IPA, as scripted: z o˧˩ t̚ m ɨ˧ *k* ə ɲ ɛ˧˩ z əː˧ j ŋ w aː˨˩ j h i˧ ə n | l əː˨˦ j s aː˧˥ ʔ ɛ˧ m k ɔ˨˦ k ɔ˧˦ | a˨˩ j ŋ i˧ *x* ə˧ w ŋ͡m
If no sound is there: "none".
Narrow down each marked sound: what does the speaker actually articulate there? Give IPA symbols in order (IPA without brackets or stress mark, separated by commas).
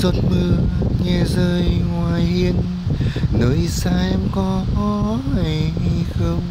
none, x